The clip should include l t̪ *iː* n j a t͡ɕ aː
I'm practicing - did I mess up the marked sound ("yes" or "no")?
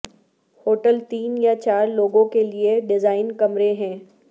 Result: no